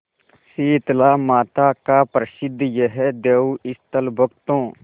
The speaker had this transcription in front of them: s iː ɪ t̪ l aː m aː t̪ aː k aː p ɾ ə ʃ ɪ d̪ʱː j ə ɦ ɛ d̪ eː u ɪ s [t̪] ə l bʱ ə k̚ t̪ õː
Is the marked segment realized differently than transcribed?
no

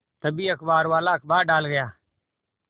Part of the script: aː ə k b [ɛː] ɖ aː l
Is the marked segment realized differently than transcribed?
yes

